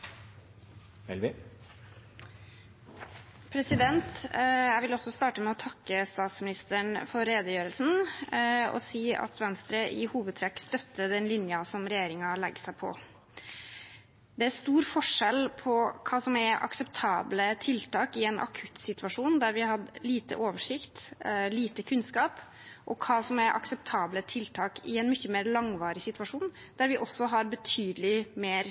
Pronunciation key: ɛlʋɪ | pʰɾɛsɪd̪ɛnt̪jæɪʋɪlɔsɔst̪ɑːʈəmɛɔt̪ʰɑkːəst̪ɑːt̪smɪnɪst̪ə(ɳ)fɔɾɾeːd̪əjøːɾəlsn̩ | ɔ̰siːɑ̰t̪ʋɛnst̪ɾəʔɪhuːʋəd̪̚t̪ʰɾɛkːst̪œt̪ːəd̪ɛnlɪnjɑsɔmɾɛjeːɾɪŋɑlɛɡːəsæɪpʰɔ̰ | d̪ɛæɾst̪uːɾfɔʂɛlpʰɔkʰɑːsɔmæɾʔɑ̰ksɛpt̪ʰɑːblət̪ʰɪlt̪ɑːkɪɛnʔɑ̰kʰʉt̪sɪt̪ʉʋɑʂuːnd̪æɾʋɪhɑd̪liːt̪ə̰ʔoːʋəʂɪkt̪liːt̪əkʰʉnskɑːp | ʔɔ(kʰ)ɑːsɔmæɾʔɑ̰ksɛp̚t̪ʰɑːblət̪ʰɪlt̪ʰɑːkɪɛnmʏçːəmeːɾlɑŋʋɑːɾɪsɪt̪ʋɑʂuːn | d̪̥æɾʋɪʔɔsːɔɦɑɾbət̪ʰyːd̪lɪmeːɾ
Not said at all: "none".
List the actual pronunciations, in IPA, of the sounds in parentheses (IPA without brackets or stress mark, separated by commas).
ɳ, kʰ